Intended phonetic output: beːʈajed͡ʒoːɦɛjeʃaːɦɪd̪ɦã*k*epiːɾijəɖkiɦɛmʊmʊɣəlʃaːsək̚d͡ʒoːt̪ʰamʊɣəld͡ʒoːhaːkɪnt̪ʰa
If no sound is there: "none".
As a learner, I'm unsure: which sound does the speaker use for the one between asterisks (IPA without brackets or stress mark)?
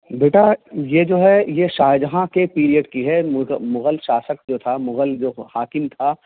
k